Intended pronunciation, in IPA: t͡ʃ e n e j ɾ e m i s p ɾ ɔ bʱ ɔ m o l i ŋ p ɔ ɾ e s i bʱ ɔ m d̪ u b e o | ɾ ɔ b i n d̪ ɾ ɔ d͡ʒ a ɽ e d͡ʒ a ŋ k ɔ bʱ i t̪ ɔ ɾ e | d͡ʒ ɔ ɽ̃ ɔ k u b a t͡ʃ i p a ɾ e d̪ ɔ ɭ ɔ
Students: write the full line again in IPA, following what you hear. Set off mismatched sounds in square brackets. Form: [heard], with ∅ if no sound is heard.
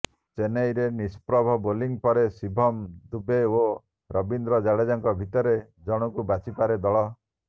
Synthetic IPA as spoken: t͡ʃ e n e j ɾ e [n] i s p ɾ ɔ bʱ ɔ [b] o l i ŋ p ɔ ɾ e s i bʱ ɔ m d̪ u b e o | ɾ ɔ b i n d̪ ɾ ɔ d͡ʒ a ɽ e d͡ʒ a ŋ k ɔ bʱ i t̪ ɔ ɾ e | d͡ʒ ɔ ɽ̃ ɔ k u b a t͡ʃ i p a ɾ e d̪ ɔ ɭ ɔ